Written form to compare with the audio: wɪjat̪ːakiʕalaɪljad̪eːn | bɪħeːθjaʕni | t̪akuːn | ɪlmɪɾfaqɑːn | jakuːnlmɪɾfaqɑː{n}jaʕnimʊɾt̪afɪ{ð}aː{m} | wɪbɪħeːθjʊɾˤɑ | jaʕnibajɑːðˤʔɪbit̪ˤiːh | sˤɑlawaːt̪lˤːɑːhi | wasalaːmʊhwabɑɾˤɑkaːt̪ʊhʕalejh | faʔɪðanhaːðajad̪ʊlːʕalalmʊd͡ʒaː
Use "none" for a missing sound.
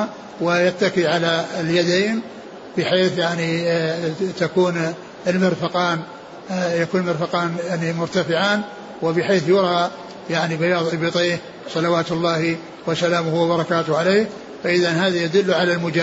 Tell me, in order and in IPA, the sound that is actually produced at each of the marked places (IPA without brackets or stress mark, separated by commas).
n, ʕ, n